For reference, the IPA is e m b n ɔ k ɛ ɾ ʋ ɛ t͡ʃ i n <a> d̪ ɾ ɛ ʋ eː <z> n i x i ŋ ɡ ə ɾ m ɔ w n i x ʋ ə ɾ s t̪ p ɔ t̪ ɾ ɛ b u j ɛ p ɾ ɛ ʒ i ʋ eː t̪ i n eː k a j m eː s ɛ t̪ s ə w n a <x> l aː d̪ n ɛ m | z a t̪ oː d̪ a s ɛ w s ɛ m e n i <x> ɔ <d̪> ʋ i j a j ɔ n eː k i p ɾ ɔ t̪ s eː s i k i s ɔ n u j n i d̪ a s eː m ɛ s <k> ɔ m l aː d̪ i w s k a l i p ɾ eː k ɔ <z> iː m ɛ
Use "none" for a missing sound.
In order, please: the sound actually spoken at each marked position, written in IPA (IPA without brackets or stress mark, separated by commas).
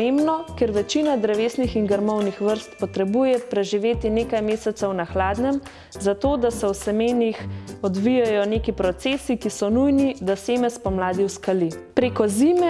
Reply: a, s, x, x, d̪, p, z